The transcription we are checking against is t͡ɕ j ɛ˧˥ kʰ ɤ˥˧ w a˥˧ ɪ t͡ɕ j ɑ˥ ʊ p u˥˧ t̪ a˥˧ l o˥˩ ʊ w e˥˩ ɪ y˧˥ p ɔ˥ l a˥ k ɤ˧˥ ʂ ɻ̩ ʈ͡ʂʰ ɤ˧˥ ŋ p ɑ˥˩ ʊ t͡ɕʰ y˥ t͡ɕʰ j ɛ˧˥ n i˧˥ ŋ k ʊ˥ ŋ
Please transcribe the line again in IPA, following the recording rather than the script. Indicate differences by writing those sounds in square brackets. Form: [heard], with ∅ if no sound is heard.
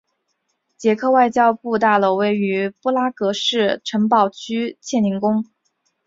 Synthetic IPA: t͡ɕ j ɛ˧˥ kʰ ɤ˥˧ w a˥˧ ɪ t͡ɕ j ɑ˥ ʊ p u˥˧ t̪ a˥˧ l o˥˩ ʊ w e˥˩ ɪ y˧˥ p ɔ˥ l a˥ k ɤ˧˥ ʂ ɻ̩ ʈ͡ʂʰ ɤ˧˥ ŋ p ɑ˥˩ ʊ t͡ɕʰ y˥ t͡ɕʰ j [ɛ˥˩] n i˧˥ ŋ k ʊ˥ ŋ